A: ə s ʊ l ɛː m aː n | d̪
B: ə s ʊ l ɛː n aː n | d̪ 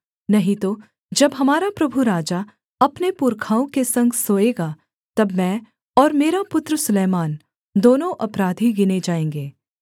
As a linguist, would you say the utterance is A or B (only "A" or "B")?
A